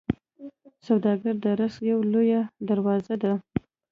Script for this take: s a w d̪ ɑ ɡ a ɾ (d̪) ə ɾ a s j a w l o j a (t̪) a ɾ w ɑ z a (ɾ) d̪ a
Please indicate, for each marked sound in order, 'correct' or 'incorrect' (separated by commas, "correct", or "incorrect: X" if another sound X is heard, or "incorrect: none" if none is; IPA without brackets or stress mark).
correct, incorrect: d̪, incorrect: none